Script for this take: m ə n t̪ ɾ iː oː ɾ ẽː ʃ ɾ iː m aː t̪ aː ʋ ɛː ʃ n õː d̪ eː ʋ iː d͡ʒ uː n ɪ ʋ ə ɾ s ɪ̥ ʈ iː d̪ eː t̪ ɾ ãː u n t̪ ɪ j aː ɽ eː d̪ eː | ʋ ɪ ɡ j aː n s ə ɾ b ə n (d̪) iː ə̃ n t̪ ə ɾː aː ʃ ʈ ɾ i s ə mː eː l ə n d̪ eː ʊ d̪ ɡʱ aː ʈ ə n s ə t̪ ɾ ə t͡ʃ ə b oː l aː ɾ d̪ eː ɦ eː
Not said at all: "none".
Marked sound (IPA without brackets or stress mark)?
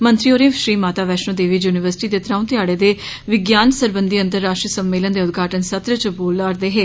d̪